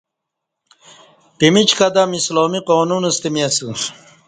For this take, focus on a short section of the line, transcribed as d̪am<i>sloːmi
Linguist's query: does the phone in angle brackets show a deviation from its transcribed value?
no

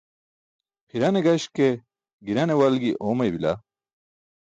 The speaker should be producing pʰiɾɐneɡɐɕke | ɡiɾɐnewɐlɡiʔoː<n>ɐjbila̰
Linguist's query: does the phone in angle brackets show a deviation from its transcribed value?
yes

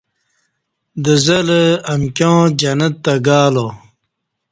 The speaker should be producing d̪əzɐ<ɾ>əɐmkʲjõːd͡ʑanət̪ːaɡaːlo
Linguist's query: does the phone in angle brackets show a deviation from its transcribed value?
yes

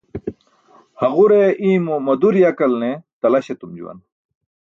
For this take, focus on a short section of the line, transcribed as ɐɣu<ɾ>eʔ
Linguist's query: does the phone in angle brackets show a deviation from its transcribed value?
no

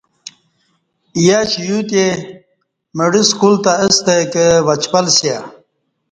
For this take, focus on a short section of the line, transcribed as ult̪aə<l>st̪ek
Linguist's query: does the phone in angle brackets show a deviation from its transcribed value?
yes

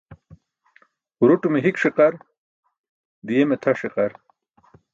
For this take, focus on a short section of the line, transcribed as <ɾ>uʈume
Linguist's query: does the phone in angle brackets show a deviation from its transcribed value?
no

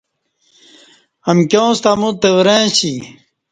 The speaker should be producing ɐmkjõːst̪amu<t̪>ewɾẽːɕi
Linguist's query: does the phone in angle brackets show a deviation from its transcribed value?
no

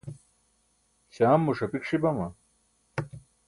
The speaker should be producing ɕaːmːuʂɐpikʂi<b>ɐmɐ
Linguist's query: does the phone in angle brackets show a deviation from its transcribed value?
no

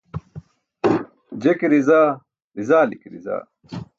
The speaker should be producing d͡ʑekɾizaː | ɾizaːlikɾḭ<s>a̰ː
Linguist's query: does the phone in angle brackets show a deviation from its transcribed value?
yes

